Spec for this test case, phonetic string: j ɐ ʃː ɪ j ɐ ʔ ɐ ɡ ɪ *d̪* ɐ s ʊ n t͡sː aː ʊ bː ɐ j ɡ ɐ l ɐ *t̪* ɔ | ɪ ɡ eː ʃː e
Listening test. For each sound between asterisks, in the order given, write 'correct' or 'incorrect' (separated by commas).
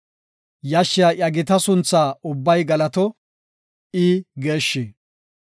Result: incorrect, correct